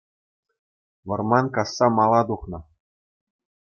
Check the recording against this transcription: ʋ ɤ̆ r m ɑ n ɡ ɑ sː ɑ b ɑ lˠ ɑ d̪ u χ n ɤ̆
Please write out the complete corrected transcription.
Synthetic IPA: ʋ ɤ̆ r m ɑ n k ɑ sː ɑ m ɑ lˠ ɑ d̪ u χ n ɤ̆